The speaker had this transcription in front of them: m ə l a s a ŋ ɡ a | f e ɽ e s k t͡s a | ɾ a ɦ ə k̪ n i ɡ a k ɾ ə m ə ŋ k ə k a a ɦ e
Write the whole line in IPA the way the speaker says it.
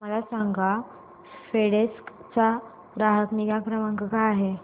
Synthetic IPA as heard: m ə l a s a ŋ ɡ a | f e ɽ e s k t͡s a | ɾ a ɦ ə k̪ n i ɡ a k ɾ ə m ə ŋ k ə k a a ɦ e